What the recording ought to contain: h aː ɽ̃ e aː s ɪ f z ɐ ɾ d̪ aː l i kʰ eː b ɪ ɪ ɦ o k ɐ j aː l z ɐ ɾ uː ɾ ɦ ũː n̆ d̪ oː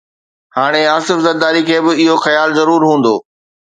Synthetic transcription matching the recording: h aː ɽ̃ e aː s ɪ f z ɐ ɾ d̪ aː ɾ i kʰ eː b ɪ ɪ ɦ o x ɐ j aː l z ɐ ɾ uː ɾ ɦ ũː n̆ d̪ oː